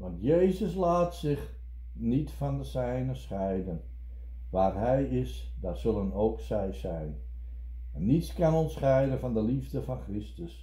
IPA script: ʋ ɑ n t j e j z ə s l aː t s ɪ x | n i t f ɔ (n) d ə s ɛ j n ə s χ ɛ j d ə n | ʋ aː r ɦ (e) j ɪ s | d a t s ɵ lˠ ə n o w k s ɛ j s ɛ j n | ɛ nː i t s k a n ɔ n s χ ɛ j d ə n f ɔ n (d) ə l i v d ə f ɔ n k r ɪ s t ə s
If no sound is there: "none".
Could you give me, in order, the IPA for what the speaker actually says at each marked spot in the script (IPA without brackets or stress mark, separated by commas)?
n, ɛ, d